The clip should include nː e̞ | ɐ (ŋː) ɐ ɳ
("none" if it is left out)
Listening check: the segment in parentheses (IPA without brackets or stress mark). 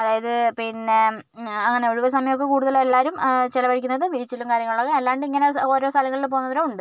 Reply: ŋː